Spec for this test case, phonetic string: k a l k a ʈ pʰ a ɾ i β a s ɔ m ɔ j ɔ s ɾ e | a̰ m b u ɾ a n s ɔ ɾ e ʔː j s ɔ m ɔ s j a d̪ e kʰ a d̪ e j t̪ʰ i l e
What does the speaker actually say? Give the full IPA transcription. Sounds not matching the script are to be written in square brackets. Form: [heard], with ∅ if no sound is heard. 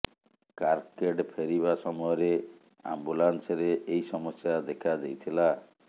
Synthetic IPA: k a [ɾ] k [e] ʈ pʰ [e] ɾ i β a s ɔ m ɔ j ɔ [∅] ɾ e | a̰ m b u [l] a n s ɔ ɾ e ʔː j s ɔ m ɔ s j a d̪ e kʰ a d̪ e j t̪ʰ i l [a]